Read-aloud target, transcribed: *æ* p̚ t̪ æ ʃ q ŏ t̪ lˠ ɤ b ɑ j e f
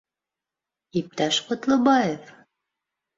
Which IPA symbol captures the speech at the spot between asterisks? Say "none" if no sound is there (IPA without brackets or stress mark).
i